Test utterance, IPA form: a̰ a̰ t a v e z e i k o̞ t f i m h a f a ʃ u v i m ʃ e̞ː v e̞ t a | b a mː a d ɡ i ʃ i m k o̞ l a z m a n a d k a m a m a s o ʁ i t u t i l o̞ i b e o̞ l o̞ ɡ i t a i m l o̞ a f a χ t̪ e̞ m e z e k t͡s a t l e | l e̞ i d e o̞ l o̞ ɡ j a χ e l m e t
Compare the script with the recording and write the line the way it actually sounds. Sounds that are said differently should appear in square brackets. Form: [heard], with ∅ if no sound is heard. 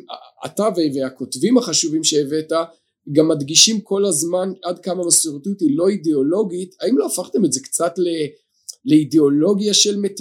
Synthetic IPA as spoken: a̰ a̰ t a v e [v] e [a] k o̞ t [v] i m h a [χ] a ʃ u v i m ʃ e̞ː v e̞ t a | [ɡ] a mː a d ɡ i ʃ i m k o̞ l a z m a n a d k a m a m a s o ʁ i t u t i l o̞ i [d] e o̞ l o̞ ɡ i t a i m l o̞ a f a χ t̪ e̞ m e z e k t͡s a t l e | l e̞ i d e o̞ l o̞ ɡ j a [ʃ] e l m e t